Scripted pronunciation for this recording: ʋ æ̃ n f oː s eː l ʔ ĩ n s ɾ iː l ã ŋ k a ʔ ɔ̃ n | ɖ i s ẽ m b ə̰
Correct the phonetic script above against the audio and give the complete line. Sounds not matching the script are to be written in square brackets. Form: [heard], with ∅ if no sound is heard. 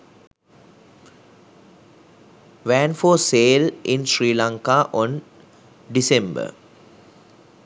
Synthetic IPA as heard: ʋ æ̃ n f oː s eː l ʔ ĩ n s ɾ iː l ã ŋ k a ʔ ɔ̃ n | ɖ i s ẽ m b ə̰